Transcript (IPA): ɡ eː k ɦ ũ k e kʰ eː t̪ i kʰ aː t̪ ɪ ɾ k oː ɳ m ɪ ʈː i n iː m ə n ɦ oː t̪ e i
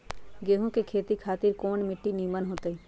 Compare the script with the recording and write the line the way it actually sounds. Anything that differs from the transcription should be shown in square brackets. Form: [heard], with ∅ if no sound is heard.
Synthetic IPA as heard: ɡ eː [∅] ɦ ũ k e kʰ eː t̪ i kʰ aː t̪ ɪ ɾ k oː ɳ m ɪ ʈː i n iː m ə n ɦ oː t̪ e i